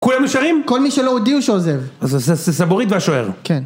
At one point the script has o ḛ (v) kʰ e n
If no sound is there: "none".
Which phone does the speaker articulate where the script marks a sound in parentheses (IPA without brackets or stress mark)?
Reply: ʁ